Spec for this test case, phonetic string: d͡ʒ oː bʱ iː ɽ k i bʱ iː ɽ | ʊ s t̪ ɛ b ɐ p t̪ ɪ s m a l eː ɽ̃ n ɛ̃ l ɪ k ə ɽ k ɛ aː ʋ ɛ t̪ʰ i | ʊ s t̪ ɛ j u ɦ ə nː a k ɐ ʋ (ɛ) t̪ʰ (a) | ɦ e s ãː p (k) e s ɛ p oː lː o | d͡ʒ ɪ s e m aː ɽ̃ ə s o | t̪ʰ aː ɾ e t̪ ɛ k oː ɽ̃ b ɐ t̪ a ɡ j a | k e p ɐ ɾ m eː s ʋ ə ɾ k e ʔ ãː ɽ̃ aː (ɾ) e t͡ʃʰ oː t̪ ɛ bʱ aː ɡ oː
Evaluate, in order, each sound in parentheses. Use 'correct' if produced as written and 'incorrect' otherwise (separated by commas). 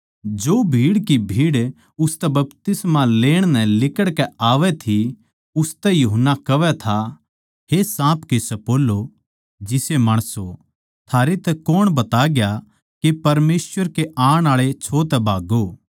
correct, correct, correct, incorrect